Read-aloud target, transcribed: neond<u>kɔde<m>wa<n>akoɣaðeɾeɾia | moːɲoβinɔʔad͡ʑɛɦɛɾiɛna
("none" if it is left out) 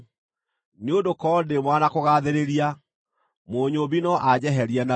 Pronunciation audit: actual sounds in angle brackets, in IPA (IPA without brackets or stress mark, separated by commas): o, m, n